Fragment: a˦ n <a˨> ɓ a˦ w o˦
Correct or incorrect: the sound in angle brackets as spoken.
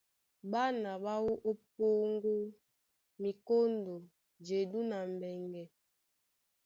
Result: correct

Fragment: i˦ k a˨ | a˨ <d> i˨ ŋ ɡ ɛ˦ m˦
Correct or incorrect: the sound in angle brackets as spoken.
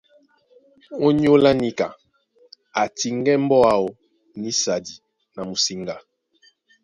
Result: incorrect: t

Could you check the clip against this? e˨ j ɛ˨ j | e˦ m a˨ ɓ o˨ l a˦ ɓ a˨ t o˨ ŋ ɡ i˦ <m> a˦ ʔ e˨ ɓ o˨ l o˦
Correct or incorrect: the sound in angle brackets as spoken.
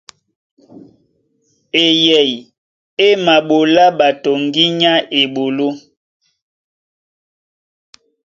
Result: incorrect: ɲ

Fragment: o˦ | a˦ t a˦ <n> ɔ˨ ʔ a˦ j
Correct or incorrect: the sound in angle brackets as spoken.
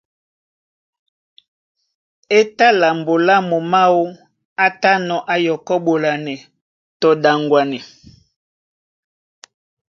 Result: correct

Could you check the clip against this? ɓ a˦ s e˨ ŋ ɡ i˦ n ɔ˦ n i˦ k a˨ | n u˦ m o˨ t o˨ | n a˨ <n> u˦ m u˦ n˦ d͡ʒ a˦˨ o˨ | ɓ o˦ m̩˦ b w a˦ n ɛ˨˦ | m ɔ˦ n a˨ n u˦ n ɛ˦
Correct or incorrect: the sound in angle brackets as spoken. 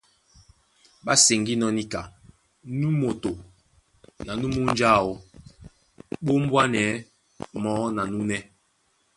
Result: correct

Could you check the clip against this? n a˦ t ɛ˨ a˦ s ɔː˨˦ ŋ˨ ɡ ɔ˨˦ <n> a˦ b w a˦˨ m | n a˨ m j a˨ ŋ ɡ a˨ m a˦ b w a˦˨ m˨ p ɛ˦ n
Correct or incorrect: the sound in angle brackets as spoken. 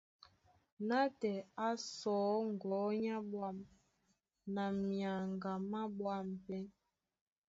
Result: incorrect: ɲ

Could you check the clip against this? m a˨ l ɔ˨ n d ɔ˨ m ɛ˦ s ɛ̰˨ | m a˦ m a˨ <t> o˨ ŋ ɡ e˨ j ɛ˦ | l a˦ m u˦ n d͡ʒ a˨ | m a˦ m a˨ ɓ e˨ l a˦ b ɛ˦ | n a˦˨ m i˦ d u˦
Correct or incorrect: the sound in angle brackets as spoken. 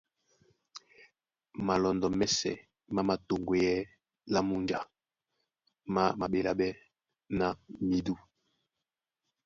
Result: correct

